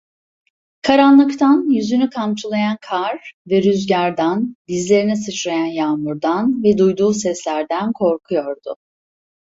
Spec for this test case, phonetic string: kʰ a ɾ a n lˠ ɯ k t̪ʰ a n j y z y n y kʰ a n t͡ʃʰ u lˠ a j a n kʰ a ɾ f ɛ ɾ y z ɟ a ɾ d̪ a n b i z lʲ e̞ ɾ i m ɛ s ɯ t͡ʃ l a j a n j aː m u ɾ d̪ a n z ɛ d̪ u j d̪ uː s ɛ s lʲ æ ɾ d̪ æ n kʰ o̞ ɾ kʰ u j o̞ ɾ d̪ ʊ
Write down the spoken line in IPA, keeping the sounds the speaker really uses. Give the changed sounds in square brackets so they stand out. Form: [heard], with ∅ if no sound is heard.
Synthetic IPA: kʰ a ɾ a n lˠ ɯ k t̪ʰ a n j y z y n y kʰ a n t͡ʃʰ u lˠ a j a n kʰ a ɾ [v] ɛ ɾ y z ɟ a ɾ d̪ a n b i z lʲ e̞ ɾ i [n] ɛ s ɯ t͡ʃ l a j a n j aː m u ɾ d̪ a n [v] ɛ d̪ u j d̪ uː s ɛ s lʲ æ ɾ d̪ æ n kʰ o̞ ɾ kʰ u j o̞ ɾ d̪ ʊ